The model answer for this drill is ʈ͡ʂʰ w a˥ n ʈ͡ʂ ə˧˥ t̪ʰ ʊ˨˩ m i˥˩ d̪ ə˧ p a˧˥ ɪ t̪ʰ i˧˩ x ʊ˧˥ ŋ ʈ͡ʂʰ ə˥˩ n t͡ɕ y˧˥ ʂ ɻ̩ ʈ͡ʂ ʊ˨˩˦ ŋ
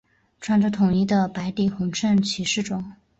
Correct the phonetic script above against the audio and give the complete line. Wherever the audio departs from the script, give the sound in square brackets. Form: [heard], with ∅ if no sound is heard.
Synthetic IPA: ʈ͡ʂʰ w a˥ n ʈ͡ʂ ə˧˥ t̪ʰ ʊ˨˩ [ŋ] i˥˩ d̪ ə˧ p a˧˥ ɪ [t̪] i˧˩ x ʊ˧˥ ŋ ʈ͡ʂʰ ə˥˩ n [t͡ɕʰ] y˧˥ ʂ ɻ̩ ʈ͡ʂ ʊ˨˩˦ ŋ